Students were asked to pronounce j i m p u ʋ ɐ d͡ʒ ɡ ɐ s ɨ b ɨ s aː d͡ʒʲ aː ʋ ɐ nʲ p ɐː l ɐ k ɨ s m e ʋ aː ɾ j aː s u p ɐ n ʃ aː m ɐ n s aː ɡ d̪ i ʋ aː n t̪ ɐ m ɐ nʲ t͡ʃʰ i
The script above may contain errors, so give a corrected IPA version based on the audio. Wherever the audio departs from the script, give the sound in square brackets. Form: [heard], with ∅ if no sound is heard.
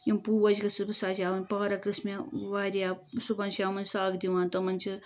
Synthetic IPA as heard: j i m p u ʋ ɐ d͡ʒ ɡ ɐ s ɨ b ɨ s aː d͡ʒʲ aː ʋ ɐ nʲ p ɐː [ɾ] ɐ k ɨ s m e ʋ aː ɾ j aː s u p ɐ n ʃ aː m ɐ n s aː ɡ d̪ i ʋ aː n t̪ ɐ m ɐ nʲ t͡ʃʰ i